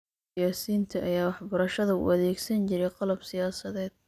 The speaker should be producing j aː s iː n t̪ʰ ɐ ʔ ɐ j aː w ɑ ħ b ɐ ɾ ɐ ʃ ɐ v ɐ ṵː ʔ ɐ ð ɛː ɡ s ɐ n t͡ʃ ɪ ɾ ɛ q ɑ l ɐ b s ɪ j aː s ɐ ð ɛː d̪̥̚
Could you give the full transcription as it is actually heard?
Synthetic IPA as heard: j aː s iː n t̪ʰ ɐ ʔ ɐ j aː w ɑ ħ b ɐ ɾ ɐ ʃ ɐ ð ɐ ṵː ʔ ɐ ð ɛː ɡ s ɐ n t͡ʃ ɪ ɾ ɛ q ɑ l ɐ b s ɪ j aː s ɐ ð ɛː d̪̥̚